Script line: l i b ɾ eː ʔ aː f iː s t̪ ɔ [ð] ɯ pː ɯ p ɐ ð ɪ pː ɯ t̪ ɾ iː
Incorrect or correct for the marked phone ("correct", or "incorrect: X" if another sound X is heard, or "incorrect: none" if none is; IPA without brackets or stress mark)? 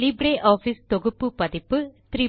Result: incorrect: ɣ